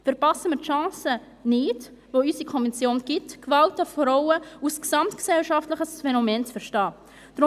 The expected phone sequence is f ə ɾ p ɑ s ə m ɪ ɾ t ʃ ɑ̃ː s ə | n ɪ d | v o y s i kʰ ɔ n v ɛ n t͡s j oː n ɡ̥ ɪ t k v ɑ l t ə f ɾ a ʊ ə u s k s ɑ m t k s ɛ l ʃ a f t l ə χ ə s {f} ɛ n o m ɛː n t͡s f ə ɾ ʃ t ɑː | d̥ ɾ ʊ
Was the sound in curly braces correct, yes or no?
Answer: yes